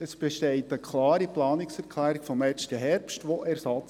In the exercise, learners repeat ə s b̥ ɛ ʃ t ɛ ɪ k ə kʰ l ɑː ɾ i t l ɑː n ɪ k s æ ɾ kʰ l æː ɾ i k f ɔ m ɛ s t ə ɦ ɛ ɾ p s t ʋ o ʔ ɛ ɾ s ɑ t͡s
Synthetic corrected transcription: ə s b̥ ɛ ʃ t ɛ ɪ t ə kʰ l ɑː ɾ i p l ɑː n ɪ k s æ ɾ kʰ l æː ɾ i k f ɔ m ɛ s t ə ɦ ɛ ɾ p s t ʋ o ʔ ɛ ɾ s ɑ t͡s

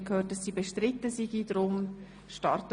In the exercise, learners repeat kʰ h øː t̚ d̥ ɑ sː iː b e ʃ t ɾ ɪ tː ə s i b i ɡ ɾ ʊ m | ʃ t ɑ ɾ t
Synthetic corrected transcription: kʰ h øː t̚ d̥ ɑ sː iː b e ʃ t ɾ ɪ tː ə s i ɡ i d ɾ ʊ m | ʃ t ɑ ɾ t

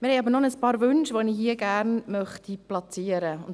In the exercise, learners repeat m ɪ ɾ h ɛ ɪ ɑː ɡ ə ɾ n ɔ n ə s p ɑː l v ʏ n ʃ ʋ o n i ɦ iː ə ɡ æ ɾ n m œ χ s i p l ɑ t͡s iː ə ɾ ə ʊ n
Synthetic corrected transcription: m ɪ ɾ h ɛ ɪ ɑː b ə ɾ n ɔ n ə s p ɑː ɾ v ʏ n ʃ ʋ o n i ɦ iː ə ɡ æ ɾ n m œ χ t i p l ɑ t͡s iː ə ɾ ə ʊ n

